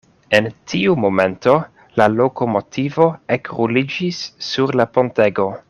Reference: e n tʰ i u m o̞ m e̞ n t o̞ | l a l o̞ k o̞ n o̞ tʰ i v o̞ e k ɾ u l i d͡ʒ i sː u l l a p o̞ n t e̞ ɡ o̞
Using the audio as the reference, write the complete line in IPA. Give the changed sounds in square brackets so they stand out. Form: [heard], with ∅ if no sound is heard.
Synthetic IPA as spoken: e n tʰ i u m o̞ m e̞ n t o̞ | l a l o̞ k o̞ [m] o̞ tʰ i v o̞ e k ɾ u l i d͡ʒ i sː u [ɾ] l a p o̞ n t e̞ ɡ o̞